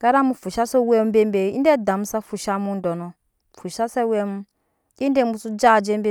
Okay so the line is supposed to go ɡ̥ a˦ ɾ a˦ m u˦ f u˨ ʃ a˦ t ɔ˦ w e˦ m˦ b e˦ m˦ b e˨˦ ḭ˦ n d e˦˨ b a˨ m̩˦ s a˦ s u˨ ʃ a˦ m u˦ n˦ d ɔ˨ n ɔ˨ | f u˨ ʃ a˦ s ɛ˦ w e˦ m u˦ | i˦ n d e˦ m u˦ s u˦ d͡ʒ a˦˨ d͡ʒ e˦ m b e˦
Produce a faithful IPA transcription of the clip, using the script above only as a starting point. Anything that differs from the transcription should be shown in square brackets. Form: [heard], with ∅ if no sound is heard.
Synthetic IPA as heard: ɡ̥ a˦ ɾ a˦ m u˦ f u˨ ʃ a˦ [s] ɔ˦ w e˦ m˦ b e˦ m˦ b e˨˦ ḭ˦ n d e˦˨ [d] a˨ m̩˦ s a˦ [f] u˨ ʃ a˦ m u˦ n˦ d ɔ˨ n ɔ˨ | f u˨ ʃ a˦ s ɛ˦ w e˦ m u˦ | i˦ n d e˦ m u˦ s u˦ d͡ʒ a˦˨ d͡ʒ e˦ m b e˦